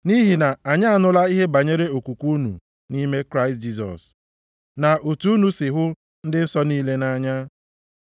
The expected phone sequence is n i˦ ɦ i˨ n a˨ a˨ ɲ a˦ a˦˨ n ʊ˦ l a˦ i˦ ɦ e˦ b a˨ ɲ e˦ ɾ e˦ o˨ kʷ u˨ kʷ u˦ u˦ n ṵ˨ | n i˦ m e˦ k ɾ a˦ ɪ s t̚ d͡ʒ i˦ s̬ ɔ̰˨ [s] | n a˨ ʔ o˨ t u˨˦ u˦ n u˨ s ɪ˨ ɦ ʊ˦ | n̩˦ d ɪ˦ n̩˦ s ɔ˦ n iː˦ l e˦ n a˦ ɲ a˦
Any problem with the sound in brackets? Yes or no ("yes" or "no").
no